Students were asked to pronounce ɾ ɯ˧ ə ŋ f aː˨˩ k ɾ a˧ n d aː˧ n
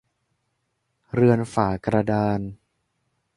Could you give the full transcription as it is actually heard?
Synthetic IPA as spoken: ɾ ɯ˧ ə n f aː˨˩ k ɾ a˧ d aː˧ n